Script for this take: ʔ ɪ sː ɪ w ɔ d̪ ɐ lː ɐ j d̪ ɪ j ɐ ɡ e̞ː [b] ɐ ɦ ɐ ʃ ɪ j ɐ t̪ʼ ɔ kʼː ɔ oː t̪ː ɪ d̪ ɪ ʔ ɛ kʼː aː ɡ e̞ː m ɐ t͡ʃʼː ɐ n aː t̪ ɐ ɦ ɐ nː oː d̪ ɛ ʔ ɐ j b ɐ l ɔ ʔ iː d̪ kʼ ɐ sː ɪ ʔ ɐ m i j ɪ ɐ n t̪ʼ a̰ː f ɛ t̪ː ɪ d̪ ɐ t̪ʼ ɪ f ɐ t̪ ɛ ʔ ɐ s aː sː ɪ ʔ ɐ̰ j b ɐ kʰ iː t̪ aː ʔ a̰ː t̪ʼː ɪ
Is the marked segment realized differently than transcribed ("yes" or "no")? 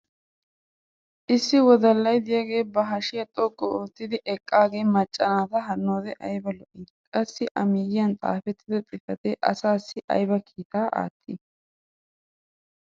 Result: no